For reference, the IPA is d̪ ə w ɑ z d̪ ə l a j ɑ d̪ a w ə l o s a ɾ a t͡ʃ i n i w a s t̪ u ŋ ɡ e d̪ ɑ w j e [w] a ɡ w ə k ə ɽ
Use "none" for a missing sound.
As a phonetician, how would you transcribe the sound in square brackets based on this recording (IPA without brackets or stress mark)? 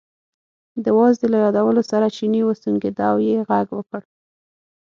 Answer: ɣ